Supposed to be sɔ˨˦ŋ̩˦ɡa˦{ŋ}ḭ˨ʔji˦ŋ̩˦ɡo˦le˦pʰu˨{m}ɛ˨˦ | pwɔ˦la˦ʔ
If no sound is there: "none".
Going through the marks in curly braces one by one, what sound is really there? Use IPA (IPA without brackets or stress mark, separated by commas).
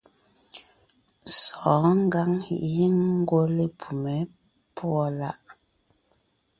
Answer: ŋ, m